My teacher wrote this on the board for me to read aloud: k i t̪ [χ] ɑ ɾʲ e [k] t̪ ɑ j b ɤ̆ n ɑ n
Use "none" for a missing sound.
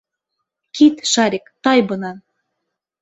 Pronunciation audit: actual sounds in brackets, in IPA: ʃ, k

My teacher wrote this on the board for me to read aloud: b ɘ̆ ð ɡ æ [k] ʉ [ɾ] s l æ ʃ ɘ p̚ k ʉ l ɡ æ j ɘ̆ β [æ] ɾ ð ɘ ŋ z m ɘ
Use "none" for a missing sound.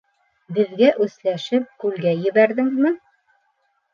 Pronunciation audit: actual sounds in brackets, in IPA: ʔ, none, æ

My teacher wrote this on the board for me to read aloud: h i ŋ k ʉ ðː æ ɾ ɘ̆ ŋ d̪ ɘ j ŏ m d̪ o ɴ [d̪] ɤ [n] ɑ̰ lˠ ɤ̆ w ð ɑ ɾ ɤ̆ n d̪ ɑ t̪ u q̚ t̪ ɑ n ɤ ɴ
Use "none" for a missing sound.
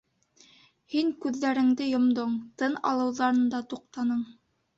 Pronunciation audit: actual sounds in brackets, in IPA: t̪, n

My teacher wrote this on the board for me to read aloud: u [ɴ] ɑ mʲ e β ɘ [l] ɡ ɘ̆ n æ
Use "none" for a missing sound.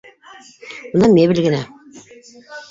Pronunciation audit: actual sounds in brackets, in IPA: n, l

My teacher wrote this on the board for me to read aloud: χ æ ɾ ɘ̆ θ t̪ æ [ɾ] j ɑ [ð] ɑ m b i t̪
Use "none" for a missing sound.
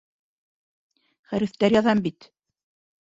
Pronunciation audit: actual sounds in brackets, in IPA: ɾ, ð

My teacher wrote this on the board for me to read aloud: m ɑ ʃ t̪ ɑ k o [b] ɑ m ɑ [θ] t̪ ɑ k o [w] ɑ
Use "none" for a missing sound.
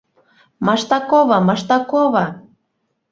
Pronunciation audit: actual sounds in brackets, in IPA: β, ʃ, β

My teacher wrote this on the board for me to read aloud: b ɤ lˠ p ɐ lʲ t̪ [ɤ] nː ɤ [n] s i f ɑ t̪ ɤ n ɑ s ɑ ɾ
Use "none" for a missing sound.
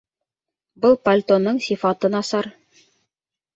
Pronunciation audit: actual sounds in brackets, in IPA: o, ɴ

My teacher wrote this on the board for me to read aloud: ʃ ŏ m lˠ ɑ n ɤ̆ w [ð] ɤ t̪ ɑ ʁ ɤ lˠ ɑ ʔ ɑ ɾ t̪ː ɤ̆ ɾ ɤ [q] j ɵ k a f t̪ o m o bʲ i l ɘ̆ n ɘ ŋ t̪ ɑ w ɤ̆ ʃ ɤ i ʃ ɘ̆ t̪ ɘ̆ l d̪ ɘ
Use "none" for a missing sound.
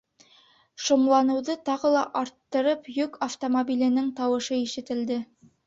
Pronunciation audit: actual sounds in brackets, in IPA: ð, p

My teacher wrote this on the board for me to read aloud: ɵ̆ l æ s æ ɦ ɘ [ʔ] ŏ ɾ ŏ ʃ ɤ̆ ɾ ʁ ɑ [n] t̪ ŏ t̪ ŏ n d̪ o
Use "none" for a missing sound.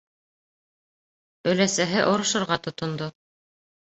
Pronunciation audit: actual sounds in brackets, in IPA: ʔ, none

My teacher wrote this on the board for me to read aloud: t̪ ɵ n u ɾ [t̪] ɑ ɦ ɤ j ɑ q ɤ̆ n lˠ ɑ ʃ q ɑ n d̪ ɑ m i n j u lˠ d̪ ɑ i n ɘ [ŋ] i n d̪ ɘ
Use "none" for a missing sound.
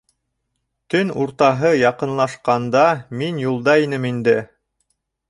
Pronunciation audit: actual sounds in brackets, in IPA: t̪, m

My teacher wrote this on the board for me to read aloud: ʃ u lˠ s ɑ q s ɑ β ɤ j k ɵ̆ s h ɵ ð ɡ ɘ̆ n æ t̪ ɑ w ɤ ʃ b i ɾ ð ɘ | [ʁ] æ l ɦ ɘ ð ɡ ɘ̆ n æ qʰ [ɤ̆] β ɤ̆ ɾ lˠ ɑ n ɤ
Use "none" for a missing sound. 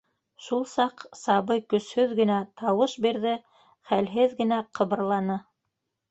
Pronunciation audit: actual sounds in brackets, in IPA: χ, ɤ̆

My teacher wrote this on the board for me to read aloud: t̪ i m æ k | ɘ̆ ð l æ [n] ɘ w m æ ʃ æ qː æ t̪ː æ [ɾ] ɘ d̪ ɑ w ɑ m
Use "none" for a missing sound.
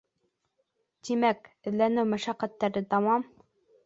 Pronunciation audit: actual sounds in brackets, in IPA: n, ɾ

